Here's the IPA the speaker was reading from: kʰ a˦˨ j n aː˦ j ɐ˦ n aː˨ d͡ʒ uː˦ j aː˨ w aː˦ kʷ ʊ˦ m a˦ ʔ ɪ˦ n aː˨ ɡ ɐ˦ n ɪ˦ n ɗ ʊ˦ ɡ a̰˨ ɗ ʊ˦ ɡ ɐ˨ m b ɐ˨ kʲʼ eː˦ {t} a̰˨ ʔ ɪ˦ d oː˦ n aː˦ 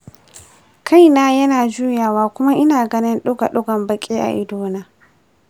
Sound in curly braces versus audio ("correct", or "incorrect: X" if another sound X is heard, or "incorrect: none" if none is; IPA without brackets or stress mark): incorrect: ʔ